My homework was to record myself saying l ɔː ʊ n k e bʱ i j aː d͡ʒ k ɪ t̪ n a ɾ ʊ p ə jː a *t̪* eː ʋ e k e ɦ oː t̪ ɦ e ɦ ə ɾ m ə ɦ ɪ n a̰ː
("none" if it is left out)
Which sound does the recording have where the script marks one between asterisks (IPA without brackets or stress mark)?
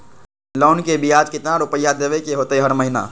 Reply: d̪